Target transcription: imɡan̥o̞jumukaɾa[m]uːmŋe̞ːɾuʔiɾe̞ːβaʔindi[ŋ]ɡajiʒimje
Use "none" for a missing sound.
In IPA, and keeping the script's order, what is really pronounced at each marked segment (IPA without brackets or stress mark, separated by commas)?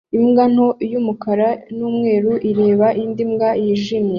n, m